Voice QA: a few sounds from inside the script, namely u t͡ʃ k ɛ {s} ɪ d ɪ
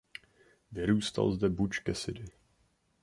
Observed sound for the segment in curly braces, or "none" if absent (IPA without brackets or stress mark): s